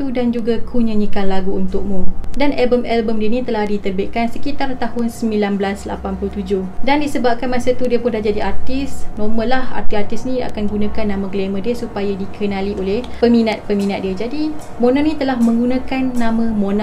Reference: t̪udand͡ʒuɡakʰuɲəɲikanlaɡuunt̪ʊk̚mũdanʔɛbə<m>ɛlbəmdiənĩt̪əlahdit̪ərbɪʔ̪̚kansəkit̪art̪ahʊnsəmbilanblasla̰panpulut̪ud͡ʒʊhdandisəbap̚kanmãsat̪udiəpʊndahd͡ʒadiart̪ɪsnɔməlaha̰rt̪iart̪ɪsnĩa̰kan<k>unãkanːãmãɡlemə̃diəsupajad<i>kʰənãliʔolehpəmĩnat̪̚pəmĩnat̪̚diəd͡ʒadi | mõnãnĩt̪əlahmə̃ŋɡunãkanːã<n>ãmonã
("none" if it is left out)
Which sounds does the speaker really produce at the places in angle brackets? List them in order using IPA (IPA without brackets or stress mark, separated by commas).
m, ɡ, i, m